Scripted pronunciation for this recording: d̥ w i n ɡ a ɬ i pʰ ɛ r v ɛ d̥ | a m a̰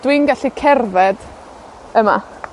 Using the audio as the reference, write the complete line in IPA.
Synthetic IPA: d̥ w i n ɡ a ɬ i kʰ ɛ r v ɛ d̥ | ə m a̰